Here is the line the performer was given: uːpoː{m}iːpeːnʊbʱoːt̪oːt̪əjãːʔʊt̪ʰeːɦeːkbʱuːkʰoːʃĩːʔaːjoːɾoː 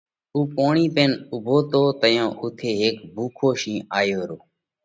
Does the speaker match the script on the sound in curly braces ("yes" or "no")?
no